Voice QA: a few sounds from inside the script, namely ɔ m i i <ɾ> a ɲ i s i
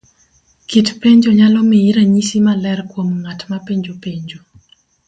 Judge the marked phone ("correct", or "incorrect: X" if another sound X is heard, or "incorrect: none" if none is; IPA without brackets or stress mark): correct